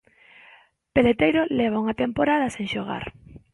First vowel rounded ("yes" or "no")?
no